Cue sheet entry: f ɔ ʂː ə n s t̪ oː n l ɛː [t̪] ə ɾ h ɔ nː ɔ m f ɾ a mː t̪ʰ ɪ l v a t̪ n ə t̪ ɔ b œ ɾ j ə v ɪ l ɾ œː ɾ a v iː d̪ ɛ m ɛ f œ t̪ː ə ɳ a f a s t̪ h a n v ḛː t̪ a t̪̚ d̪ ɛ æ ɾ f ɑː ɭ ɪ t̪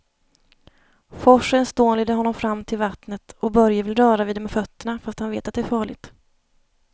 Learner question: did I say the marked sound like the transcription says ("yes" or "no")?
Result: no